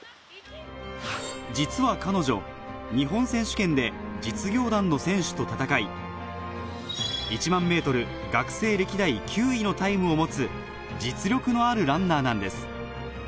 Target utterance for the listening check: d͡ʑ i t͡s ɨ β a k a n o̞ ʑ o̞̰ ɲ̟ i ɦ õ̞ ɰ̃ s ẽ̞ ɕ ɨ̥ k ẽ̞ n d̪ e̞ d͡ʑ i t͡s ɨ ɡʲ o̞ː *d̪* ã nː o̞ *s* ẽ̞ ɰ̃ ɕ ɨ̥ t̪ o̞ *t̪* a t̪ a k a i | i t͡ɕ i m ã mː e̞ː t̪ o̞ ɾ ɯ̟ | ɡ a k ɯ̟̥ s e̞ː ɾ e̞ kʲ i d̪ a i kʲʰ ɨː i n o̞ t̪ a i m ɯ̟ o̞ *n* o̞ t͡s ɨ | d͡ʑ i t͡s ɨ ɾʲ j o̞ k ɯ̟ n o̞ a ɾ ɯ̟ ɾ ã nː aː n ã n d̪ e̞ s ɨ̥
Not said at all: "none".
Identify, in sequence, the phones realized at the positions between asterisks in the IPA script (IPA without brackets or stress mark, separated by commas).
d̪, s, t̪, m